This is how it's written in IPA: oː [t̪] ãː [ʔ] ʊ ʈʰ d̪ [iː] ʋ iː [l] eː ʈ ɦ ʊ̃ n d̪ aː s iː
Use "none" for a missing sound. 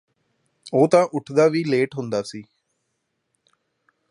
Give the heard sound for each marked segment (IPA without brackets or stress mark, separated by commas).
t̪, ʔ, aː, l